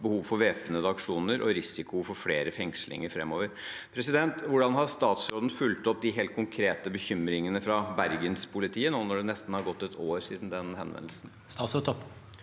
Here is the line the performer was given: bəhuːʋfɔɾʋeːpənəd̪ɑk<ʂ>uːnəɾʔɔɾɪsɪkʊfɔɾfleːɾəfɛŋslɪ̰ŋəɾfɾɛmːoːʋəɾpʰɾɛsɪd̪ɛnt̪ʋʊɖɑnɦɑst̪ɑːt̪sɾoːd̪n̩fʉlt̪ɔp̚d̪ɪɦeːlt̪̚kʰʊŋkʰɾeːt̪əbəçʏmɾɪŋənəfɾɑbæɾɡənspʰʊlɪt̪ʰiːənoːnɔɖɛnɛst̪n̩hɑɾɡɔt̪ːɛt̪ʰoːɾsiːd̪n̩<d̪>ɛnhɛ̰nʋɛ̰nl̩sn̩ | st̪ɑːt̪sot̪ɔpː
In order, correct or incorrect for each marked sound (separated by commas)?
correct, correct